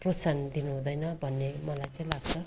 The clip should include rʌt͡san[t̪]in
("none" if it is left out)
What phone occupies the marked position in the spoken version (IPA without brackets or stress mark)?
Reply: d̪